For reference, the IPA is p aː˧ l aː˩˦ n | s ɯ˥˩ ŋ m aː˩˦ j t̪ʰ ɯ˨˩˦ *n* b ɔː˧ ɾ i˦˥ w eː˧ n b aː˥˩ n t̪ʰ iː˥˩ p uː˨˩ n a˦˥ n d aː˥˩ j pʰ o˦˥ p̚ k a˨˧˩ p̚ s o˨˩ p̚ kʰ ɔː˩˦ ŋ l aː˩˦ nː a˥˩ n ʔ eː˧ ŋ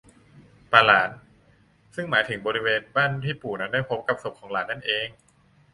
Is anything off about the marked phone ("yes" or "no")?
yes